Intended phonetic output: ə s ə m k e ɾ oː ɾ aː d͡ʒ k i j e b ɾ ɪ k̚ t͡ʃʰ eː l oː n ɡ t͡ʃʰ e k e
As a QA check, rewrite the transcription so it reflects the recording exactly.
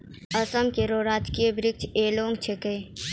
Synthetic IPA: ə s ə m k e ɾ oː ɾ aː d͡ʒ k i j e b ɾ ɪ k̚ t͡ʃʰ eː l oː ŋ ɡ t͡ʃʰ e k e